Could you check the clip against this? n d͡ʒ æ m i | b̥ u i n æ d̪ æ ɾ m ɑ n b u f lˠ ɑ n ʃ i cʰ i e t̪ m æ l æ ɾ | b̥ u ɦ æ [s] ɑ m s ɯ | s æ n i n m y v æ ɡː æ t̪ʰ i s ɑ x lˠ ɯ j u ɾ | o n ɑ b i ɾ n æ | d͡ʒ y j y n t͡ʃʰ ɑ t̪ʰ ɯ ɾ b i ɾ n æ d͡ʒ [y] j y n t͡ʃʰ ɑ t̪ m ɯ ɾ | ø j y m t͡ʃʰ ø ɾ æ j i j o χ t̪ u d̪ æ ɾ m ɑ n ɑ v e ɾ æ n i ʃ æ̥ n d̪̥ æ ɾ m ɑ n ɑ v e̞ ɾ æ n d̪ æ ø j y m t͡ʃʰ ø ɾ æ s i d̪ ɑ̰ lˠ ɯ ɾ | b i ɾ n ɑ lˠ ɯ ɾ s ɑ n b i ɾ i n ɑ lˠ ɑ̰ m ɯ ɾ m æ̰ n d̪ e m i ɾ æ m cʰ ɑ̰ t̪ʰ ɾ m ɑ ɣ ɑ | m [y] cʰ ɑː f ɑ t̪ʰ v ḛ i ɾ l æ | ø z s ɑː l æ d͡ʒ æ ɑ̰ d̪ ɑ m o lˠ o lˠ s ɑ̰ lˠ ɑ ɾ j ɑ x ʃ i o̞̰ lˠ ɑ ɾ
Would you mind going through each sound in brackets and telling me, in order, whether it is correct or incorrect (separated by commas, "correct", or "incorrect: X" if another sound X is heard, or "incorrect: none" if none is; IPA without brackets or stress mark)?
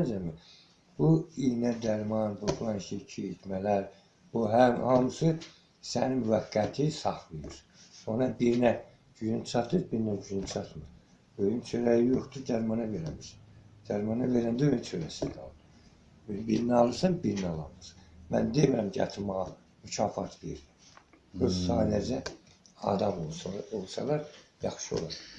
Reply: incorrect: h, correct, correct